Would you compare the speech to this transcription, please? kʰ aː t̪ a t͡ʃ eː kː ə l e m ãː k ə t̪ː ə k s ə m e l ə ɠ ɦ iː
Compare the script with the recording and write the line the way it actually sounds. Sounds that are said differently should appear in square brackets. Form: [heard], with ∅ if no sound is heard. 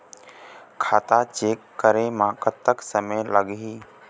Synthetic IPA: kʰ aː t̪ a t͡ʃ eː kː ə [ɾ] e m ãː k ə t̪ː ə k s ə m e l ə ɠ ɦ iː